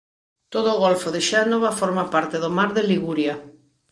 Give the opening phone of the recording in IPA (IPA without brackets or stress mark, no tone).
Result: t̪